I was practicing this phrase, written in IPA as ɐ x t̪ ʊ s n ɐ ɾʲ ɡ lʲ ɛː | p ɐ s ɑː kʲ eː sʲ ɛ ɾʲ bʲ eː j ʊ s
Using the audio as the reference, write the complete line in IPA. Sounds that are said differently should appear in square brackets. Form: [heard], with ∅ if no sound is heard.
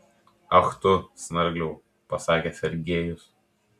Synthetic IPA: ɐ x t̪ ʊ s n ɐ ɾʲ ɡ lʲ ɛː | p ɐ s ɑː kʲ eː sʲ ɛ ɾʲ [ɡʲ] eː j ʊ s